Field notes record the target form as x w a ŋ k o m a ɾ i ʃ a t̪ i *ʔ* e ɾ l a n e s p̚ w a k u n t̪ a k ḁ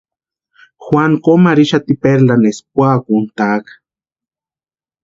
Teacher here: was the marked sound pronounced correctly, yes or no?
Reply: no